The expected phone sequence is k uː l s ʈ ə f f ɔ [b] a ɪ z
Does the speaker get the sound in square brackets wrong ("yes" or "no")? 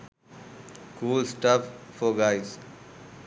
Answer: yes